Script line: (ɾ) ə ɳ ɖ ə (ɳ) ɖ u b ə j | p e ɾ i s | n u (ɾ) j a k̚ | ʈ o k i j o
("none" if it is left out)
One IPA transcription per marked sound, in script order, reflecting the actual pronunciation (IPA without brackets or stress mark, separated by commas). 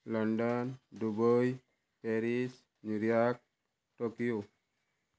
l, n, ɾ